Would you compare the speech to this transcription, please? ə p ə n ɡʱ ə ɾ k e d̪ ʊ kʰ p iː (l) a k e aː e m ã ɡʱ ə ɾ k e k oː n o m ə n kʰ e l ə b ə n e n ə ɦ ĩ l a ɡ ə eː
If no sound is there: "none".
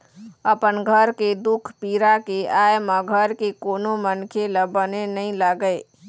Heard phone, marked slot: ɾ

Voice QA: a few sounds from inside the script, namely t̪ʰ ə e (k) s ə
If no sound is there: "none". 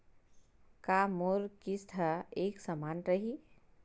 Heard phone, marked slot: k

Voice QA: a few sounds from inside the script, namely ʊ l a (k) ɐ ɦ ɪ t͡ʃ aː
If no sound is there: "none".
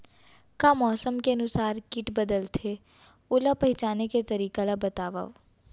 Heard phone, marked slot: p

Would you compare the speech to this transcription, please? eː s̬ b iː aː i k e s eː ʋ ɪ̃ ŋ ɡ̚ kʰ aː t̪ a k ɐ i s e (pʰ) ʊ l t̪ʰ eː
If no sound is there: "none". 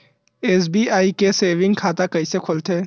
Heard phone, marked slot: kʰ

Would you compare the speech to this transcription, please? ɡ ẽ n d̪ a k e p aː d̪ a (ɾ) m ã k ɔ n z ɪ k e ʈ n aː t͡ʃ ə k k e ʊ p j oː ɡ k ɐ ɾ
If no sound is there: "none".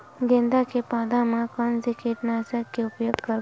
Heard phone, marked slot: none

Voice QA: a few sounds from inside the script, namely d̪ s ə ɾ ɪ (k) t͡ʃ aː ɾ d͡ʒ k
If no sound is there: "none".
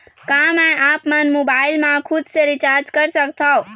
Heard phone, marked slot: none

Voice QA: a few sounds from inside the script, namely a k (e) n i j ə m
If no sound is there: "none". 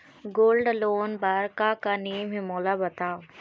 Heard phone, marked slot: a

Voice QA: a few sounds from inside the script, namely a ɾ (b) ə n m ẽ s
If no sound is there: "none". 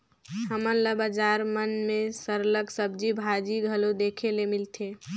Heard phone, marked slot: m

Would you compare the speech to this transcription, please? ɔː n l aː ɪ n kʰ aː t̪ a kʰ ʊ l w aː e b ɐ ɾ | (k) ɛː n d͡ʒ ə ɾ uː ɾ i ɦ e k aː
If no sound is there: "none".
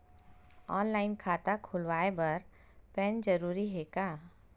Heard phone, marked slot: p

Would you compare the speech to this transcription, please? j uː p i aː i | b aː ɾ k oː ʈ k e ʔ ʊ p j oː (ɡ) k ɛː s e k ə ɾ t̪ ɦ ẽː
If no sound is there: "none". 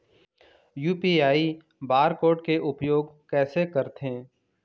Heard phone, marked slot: ɡ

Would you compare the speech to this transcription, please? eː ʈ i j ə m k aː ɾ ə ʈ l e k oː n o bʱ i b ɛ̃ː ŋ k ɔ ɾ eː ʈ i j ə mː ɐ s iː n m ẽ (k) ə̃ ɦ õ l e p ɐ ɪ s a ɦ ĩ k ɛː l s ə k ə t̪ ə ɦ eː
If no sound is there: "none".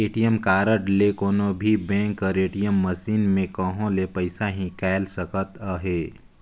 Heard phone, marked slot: k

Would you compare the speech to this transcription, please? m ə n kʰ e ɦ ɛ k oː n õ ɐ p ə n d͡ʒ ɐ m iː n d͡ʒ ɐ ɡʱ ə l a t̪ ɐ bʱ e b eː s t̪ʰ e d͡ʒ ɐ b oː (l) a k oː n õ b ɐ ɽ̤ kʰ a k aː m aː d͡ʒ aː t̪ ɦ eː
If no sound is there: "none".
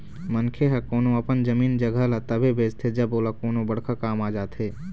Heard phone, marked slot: l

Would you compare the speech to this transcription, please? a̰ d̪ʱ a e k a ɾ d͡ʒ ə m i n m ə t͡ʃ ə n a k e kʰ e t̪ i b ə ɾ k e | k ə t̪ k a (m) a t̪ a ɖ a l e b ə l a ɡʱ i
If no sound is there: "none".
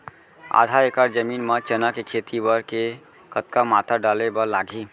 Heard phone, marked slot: m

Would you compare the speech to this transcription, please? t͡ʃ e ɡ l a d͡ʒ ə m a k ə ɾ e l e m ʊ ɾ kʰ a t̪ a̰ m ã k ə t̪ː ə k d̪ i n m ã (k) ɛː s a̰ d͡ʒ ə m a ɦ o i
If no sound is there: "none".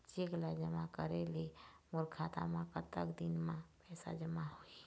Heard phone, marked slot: p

